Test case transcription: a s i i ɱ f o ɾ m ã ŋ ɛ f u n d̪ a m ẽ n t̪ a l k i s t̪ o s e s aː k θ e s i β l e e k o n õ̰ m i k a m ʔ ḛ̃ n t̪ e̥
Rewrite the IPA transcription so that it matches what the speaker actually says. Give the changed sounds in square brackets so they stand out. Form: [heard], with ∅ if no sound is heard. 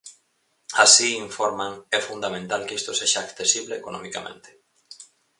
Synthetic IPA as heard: a s i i ɱ f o ɾ m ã ŋ ɛ f u n d̪ a m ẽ n t̪ a l k i s t̪ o s e [ʃ] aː k θ e s i β l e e k o n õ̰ m i k a m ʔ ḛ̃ n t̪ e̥